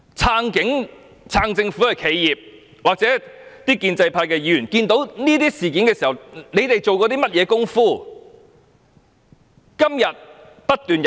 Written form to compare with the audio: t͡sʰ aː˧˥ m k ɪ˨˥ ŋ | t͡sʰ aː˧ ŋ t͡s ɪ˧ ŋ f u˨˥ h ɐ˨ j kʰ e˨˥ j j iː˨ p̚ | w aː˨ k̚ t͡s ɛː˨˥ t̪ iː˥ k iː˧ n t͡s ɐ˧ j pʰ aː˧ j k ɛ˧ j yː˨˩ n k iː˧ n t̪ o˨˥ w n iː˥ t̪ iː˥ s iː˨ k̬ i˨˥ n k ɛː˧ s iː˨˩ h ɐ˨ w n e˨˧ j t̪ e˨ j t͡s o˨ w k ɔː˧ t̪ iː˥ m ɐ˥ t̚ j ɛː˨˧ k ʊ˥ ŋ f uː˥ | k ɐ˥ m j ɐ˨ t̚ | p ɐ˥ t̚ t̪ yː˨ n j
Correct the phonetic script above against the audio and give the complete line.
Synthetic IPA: t͡sʰ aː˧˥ ŋ k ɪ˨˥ ŋ | t͡sʰ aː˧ ŋ t͡s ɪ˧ ŋ f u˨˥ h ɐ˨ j kʰ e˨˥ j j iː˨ p̚ | w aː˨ k̚ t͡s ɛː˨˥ t̪ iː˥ k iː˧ n t͡s ɐ˧ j pʰ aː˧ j k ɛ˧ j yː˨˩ n k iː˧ n t̪ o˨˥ w n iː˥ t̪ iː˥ s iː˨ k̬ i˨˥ n k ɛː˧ s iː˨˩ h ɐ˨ w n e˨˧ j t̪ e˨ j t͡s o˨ w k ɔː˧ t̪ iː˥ m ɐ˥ t̚ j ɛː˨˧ k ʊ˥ ŋ f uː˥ | k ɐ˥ m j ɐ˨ t̚ | p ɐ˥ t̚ t̪ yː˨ n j

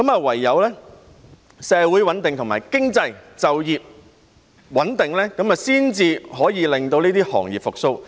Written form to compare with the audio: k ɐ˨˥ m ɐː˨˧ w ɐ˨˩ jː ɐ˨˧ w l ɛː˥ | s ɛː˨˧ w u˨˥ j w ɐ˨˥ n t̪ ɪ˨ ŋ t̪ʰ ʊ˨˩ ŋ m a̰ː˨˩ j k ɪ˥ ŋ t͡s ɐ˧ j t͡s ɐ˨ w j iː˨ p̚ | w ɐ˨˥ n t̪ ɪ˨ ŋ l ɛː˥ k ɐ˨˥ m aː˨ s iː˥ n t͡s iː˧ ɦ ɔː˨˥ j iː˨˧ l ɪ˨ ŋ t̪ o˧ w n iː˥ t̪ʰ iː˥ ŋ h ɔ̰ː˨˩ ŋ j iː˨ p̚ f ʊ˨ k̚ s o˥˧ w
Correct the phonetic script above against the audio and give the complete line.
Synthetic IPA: k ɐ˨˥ m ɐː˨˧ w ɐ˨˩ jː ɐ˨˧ w l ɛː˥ | s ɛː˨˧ w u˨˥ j w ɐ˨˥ n t̪ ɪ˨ ŋ t̪ʰ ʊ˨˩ ŋ m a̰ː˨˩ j k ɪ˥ ŋ t͡s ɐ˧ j t͡s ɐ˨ w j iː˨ p̚ | w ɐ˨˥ n t̪ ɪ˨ ŋ l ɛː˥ k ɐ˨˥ m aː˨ s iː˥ n t͡s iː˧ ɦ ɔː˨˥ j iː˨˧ l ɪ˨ ŋ t̪ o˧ w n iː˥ t̪ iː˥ h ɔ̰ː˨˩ ŋ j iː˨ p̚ f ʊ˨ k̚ s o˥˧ w

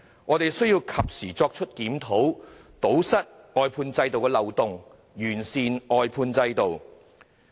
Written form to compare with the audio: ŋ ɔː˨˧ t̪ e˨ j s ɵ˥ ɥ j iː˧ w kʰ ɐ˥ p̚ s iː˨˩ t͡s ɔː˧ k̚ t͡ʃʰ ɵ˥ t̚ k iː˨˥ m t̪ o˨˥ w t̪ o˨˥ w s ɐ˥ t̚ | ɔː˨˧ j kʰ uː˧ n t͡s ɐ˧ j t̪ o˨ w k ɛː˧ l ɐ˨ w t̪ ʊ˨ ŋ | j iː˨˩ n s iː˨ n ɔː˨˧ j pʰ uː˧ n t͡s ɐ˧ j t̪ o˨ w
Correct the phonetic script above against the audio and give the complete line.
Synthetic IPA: ŋ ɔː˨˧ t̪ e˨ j s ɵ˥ ɥ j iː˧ w kʰ ɐ˨ p̚ s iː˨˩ t͡s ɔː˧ k̚ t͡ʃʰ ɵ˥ t̚ k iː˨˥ m t̪ʰ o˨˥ w t̪ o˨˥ w s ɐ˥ t̚ | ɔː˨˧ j pʰ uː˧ n t͡s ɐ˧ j t̪ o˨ w k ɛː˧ l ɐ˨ w t̪ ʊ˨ ŋ | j yː˨˩ n s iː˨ n ɔː˨˧ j pʰ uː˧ n t͡s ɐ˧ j t̪ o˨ w

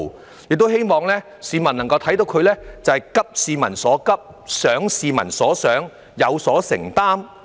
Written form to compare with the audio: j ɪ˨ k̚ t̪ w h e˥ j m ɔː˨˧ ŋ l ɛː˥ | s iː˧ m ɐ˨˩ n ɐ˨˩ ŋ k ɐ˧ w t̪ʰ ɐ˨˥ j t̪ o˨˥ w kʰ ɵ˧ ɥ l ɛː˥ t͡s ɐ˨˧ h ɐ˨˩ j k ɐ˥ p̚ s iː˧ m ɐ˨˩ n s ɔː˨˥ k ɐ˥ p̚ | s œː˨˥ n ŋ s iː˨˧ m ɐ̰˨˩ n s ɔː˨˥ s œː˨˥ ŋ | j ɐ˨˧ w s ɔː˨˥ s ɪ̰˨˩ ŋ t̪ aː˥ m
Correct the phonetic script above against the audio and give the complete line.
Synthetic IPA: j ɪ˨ k̚ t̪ w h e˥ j m ɔː˨˧ ŋ l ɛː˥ | s iː˧ m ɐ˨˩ n ɐ˨˩ ŋ k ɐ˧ w t̪ʰ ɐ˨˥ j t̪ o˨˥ w kʰ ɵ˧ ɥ l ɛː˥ t͡s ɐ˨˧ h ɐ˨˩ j k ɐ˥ p̚ s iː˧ m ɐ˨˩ n s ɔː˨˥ k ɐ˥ p̚ | s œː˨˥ ŋ s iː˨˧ m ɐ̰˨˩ n s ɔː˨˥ s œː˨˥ ŋ | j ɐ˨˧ w s ɔː˨˥ s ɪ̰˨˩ ŋ t̪ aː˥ m

